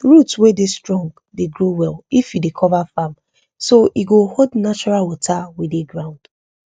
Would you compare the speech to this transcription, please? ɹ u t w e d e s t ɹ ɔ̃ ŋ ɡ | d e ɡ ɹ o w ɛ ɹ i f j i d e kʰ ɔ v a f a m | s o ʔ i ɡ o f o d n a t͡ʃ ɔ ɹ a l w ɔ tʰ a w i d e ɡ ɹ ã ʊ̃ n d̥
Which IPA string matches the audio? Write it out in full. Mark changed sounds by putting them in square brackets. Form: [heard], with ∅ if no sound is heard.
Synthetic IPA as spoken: ɹ u t w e d e s t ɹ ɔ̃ ŋ ɡ | d e ɡ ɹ o w ɛ [l] i f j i d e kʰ ɔ v a f a m | s o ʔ i ɡ o [h] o d n a t͡ʃ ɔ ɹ a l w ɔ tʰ a w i d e ɡ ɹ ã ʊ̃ n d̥